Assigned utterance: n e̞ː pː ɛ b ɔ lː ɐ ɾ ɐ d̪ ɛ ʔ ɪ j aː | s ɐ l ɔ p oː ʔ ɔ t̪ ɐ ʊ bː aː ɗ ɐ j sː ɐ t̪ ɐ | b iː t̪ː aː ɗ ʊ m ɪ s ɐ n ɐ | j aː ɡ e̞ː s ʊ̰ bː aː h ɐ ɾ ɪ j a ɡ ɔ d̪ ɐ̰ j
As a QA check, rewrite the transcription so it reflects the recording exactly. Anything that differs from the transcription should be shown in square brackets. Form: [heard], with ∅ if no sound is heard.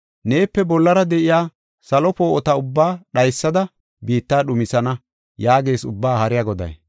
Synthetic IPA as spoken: n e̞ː pː ɛ b ɔ lː ɐ ɾ ɐ d̪ ɛ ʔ ɪ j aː | s ɐ l ɔ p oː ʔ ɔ t̪ ɐ ʊ bː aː ɗ ɐ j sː ɐ [d̪] ɐ | b iː t̪ː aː ɗ ʊ m ɪ s ɐ n ɐ | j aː ɡ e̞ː s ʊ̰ bː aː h ɐ ɾ ɪ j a ɡ ɔ d̪ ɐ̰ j